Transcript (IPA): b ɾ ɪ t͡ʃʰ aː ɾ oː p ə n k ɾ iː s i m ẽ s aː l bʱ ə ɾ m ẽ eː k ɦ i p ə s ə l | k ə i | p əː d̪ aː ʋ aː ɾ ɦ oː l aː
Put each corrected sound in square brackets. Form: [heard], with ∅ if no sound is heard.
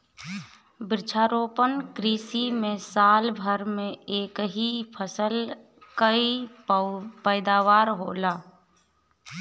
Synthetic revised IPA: b ɾ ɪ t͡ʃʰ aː ɾ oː p ə n k ɾ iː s i m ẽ s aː l bʱ ə ɾ m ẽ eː k ɦ i [pʰ] ə s ə l | k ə i | p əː d̪ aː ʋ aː ɾ ɦ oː l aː